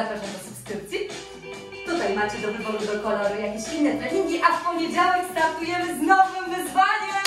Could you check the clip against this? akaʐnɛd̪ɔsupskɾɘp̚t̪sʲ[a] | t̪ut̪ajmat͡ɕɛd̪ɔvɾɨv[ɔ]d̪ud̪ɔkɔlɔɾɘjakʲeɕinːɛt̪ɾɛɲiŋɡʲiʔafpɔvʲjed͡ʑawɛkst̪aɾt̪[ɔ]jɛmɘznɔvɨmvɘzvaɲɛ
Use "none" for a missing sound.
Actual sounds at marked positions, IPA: i, ɔ, u

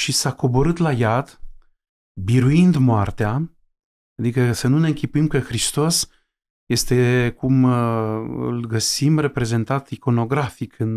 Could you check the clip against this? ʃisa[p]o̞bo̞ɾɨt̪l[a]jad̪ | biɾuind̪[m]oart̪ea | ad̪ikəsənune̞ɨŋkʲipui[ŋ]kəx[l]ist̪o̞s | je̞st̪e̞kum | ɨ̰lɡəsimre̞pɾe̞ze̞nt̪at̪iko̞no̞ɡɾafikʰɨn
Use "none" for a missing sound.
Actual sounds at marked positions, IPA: k, a, m, m, ɾ

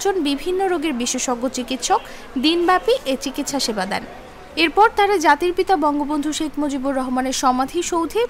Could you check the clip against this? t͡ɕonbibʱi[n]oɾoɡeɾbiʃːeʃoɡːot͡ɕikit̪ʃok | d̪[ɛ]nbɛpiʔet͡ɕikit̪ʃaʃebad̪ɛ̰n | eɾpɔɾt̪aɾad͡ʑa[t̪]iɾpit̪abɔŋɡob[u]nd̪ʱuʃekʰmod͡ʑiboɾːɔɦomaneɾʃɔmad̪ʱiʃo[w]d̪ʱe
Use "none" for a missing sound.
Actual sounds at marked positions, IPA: nː, i, t̪, o, w

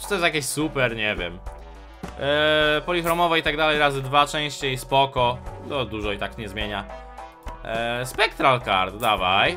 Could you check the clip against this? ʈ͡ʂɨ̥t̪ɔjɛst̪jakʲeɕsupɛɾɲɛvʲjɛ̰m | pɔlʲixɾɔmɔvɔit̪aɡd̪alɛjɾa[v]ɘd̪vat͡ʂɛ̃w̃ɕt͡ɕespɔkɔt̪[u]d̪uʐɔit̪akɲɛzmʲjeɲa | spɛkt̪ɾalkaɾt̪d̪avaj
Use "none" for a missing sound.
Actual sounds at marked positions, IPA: z, ɔ

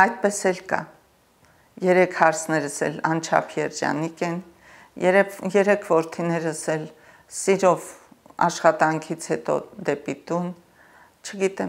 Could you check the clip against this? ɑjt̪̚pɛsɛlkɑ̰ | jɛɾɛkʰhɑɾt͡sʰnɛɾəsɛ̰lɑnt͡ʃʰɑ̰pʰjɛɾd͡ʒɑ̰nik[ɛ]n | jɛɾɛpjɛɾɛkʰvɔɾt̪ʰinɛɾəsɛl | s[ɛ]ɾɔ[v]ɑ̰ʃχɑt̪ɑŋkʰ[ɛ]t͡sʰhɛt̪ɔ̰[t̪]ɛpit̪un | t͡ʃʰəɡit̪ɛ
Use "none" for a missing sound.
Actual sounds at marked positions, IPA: ɛ, i, v, i, d̪

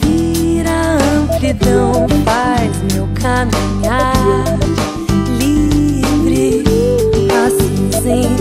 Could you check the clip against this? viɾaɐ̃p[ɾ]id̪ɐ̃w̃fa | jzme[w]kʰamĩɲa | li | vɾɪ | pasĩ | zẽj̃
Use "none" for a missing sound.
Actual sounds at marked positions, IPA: l, w

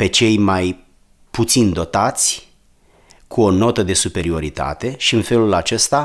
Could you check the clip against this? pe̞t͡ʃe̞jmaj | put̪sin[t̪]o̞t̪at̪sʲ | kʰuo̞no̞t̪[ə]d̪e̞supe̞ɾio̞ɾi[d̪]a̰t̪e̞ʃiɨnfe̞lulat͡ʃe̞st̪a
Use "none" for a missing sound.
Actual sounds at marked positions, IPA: d̪, ə, t̪

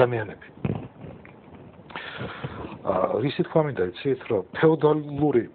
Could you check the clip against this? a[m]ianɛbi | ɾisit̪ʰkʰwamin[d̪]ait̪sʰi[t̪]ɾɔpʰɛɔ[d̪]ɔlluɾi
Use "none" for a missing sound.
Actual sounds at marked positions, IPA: m, d̪, t̪ʰ, d̪

